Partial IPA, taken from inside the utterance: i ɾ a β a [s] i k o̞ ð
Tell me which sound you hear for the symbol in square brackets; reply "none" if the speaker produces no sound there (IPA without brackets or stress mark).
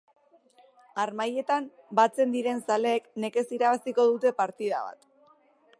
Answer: s